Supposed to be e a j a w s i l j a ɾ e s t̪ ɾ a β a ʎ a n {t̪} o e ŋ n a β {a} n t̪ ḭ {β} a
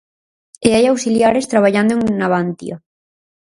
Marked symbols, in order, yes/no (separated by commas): no, yes, no